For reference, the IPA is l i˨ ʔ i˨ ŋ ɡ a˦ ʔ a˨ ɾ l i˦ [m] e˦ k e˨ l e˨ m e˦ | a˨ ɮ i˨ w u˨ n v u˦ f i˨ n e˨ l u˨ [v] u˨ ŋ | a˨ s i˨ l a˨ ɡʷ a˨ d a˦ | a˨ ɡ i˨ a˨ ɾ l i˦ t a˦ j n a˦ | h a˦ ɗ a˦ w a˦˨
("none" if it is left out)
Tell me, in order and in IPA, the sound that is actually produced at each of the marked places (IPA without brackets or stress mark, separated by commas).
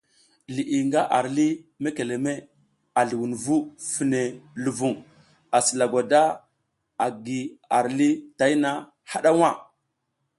m, v